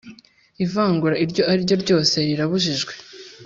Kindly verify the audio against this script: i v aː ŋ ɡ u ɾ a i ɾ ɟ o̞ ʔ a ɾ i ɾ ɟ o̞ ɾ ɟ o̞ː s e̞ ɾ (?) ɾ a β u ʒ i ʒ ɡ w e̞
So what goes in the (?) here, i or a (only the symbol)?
i